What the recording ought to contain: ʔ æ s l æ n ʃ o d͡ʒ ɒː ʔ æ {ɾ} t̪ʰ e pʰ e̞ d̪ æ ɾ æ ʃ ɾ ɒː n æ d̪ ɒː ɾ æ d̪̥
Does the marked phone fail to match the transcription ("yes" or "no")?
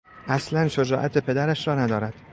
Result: yes